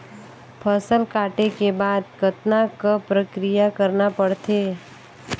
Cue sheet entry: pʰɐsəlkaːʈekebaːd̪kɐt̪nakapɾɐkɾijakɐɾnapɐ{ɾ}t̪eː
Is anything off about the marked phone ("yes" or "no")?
yes